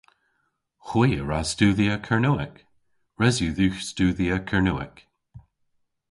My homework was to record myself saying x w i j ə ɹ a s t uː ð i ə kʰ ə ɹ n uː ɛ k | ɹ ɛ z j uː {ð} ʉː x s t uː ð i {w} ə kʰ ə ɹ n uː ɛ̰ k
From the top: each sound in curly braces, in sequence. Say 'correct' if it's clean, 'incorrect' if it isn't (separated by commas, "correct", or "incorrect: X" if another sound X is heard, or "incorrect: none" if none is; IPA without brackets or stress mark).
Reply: correct, incorrect: none